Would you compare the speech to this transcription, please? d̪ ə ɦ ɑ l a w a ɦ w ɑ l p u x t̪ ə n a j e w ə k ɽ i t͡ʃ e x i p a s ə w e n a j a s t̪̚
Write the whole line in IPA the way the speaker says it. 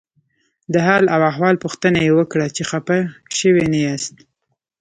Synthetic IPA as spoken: d̪ ə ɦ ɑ l a w a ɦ w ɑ l p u x t̪ ə n a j e w ə k ɽ a t͡ʃ e x a p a ʃ ə w e n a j a s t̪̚